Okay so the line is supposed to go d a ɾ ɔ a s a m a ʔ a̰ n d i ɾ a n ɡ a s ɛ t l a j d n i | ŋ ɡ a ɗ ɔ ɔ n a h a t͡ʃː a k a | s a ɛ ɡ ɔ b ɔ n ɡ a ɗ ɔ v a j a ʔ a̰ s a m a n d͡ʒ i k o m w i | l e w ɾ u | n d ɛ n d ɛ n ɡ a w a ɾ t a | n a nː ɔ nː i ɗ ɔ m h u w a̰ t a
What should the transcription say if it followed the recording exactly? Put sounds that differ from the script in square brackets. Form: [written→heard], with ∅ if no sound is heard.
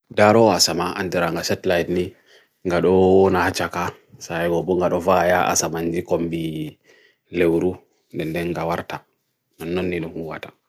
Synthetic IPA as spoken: d a ɾ ɔ a s a m a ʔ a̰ n d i ɾ a [n→ŋ] ɡ a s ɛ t l a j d n i | ŋ ɡ a ɗ ɔ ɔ n a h a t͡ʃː a k a | s a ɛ ɡ ɔ b ɔ [n→ŋ] ɡ a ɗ ɔ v a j a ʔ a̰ s a m a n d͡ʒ i k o m [w→b] i | l e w ɾ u | n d ɛ n d ɛ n ɡ a w a ɾ t a | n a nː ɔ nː i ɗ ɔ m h u w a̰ t a

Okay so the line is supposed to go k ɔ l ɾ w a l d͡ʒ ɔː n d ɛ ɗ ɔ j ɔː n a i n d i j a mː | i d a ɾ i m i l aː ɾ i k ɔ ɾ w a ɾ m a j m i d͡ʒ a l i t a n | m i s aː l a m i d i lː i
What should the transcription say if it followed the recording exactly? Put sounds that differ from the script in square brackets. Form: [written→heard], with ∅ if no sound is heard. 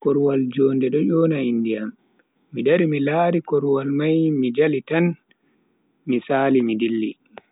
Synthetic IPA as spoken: k ɔ [l→∅] ɾ w a l d͡ʒ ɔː n d ɛ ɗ ɔ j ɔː n a i n d i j a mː | i d a ɾ i m i l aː ɾ i k ɔ ɾ w a [ɾ→l] m a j m i d͡ʒ a l i t a n | m i s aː l [a→i] m i d i lː i

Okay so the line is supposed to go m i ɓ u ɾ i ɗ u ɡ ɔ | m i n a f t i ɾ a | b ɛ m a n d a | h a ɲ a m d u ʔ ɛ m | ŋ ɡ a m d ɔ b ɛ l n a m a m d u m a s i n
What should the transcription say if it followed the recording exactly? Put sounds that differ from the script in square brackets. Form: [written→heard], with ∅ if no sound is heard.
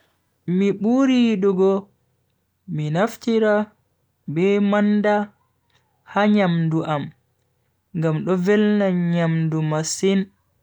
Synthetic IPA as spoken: m i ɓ u ɾ i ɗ u ɡ ɔ | m i n a f t i ɾ a | b ɛ m a n d a | h a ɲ a m d u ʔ [ɛ→a] m | ŋ ɡ a m [d→ɗ] ɔ [b→v] ɛ l n a [m→ɲ] a m d u m a s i n

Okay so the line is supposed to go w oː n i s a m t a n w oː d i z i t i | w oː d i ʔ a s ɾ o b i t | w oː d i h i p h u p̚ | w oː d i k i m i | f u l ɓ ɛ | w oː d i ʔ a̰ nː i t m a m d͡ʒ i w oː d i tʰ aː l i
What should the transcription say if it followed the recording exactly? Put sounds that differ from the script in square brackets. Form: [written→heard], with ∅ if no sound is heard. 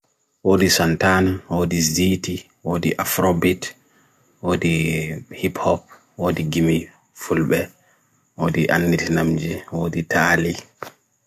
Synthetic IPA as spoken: w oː [n→d] i s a [m→n] t a n w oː d i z i t i | w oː d i ʔ a [s→f] ɾ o b i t | w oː d i h i p h [u→ɔ] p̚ | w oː d i [k→ɡ] i m i | f u l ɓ ɛ | w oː d i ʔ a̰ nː i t [m→n] a m d͡ʒ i w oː d i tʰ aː l i

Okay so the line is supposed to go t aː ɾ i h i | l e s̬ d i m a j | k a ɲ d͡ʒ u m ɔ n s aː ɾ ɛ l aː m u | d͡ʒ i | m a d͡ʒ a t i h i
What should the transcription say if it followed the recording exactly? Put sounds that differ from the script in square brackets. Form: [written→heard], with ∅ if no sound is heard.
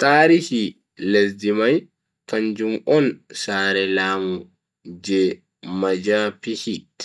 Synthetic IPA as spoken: t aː ɾ i h i | l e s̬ d i m a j | k a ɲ d͡ʒ u m ɔ n s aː ɾ ɛ l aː m u | d͡ʒ [i→ɛ] | m a d͡ʒ a [t→p] i h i

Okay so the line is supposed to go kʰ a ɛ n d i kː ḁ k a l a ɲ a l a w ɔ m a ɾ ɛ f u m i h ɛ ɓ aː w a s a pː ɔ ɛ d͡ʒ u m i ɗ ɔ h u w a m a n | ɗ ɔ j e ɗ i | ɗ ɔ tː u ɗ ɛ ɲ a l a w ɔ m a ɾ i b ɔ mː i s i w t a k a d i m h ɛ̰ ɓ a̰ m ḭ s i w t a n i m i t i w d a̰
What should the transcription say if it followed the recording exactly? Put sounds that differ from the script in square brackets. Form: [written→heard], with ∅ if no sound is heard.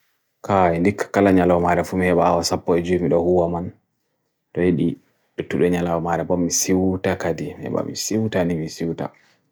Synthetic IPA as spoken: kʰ a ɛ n d i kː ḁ k a l a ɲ a l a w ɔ m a ɾ ɛ f u m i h ɛ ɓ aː w a s a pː ɔ ɛ d͡ʒ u m i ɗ ɔ h u w a m a n | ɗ ɔ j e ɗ i | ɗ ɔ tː u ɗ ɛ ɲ a l a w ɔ m a ɾ [i→ɛ] b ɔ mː i s i w t a k a d i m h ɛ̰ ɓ a̰ m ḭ s i w t a n i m i [t→s] i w [d→t] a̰

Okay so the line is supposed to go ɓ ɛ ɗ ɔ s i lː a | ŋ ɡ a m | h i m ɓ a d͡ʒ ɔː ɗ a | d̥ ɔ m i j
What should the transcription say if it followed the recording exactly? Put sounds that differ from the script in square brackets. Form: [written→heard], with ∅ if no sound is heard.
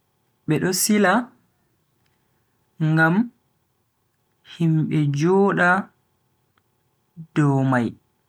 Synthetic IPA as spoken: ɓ ɛ ɗ ɔ s i [lː→l] a | ŋ ɡ a m | h i m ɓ [a→ɛ] d͡ʒ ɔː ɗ a | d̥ ɔ m [i→a] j

